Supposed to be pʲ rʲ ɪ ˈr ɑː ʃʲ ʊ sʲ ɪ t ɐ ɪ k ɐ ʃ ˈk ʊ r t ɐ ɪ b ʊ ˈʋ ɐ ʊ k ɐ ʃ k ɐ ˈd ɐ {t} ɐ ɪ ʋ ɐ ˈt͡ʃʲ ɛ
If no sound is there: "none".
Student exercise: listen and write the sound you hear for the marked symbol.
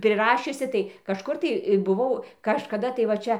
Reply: t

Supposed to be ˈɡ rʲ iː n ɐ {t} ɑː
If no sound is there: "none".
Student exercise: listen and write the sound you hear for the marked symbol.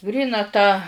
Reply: t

